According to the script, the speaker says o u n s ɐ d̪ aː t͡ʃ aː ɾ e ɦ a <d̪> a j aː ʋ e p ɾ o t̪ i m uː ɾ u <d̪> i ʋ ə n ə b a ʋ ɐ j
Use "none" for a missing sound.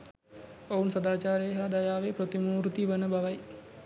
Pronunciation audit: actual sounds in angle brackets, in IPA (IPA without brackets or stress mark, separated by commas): d̪, t̪